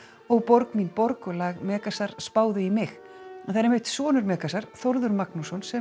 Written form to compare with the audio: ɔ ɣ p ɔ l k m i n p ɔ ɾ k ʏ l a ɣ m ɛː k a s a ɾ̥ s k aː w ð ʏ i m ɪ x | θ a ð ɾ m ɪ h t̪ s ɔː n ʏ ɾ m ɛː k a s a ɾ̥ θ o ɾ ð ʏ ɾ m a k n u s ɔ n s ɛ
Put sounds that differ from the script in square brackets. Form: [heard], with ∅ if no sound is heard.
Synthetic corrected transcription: ɔ ɣ p ɔ [ɾ] k m i n p ɔ ɾ k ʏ l a ɣ m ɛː k a s a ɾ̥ s [p] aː w ð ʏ i m ɪ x | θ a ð ɾ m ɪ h t̪ s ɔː n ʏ ɾ m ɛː k a s a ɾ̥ θ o ɾ ð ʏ ɾ m a k n u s ɔ n s ɛ